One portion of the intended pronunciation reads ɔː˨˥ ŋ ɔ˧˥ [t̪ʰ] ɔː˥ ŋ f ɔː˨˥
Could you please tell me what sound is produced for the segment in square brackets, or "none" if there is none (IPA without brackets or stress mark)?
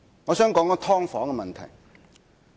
t̪ʰ